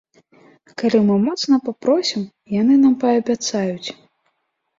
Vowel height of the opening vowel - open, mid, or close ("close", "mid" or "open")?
open